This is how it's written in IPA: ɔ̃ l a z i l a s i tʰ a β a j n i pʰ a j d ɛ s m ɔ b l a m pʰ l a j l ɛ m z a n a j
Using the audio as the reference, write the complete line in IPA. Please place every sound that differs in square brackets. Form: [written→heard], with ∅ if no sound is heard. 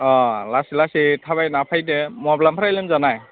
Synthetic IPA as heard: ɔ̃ l a [z→s] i l a s i tʰ a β a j n [i→a] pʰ a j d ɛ [s→∅] m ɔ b l a m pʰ [l→ɾ] a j l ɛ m z a n a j